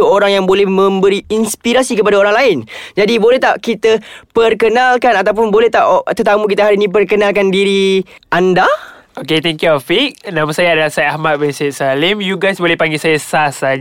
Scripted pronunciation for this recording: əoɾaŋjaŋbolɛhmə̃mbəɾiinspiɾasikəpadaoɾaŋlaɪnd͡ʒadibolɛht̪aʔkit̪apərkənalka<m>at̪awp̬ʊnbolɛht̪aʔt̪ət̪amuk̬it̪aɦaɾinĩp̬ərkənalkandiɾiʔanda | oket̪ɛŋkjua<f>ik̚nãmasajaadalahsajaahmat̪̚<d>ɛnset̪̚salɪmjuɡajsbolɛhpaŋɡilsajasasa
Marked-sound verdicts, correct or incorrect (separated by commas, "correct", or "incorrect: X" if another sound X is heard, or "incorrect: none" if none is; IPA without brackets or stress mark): incorrect: n, correct, incorrect: b